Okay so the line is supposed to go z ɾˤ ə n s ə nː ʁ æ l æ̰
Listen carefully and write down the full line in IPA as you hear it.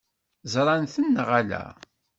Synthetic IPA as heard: z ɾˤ ɑ n θ ə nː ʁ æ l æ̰